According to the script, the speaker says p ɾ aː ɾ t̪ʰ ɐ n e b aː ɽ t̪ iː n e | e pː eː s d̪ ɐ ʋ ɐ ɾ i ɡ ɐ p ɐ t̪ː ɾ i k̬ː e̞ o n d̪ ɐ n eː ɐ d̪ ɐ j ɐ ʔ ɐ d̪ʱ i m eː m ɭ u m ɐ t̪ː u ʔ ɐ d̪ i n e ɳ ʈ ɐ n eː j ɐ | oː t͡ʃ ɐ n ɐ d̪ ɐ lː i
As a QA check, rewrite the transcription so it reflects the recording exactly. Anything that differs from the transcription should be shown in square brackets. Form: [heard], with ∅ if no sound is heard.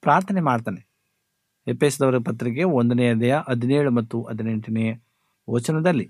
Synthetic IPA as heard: p ɾ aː ɾ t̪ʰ ɐ n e [m] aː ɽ t̪ [aː] n e | e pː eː s d̪ ɐ ʋ ɐ ɾ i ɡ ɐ p ɐ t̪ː ɾ i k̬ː e̞ o n d̪ ɐ n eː ɐ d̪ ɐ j ɐ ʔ ɐ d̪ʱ i [n] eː [∅] ɭ u m ɐ t̪ː u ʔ ɐ d̪ i n e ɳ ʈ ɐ n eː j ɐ | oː t͡ʃ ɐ n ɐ d̪ ɐ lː i